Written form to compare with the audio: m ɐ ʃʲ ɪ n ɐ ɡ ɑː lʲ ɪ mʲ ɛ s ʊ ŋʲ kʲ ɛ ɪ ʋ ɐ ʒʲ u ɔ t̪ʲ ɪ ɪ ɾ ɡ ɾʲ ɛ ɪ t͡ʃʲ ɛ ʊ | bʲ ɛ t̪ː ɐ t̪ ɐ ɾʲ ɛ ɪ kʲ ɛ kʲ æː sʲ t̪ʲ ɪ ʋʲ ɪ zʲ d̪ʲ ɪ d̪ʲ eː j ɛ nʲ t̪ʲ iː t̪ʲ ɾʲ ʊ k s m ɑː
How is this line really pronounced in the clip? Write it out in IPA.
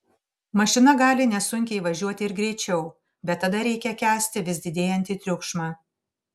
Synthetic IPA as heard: m ɐ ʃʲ ɪ n ɐ ɡ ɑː lʲ ɪ nʲ ɛ s ʊ ŋʲ kʲ ɛ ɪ ʋ ɐ ʒʲ u ɔ t̪ʲ ɪ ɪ ɾ ɡ ɾʲ ɛ ɪ t͡ʃʲ ɛ ʊ | bʲ ɛ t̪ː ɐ d̪ ɐ ɾʲ ɛ ɪ kʲ ɛ kʲ æː sʲ t̪ʲ ɪ ʋʲ ɪ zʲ d̪ʲ ɪ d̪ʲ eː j ɛ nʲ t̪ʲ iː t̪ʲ ɾʲ ʊ k ʃ m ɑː